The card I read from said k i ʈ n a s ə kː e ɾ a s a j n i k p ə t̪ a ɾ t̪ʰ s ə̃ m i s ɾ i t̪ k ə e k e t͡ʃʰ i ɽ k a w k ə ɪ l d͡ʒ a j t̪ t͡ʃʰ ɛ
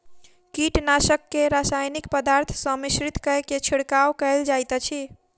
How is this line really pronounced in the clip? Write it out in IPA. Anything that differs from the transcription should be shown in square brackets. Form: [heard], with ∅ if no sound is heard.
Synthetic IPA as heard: k i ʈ n a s ə kː e ɾ a s a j n i k p ə [d̪] a ɾ t̪ʰ s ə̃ m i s ɾ i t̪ k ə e k e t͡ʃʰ i ɽ k a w k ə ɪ l d͡ʒ a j t̪ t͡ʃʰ [i]